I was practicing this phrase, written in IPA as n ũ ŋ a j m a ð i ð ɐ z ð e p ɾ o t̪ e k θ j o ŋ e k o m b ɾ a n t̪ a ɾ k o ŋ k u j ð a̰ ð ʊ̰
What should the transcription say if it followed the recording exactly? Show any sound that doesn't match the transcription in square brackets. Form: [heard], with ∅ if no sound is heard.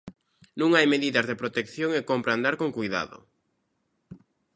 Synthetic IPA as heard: n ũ ŋ a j m [e] ð i ð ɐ z ð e p ɾ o t̪ e k θ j o ŋ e k o m [p] ɾ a n [d̪] a ɾ k o ŋ k u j ð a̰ ð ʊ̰